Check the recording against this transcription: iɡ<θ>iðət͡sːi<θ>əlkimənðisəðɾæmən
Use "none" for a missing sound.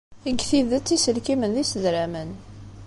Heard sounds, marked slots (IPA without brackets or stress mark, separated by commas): θ, s